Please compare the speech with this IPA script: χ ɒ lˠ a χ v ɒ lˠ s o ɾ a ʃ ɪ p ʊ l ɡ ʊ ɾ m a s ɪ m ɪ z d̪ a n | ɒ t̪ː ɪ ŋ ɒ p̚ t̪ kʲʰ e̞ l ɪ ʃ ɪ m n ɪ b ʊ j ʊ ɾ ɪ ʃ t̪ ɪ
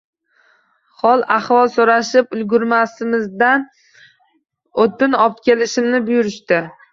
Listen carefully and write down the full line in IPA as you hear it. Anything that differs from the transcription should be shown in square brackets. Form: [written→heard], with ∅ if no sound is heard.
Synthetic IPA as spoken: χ ɒ lˠ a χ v ɒ lˠ s o ɾ a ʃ ɪ p ʊ l ɡ ʊ ɾ m a s ɪ m ɪ z d̪ a n | [ɒ→o] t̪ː ɪ [ŋ→n] ɒ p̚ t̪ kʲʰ e̞ l ɪ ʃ ɪ m n ɪ b ʊ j ʊ ɾ ɪ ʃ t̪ ɪ